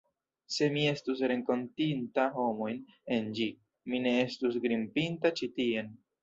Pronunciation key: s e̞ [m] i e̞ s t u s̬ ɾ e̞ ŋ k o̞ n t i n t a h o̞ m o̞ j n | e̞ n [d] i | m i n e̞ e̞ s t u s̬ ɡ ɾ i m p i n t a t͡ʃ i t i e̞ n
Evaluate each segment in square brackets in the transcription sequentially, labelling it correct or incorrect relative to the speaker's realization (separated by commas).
correct, incorrect